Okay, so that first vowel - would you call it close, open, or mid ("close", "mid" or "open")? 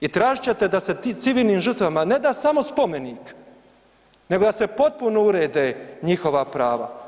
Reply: close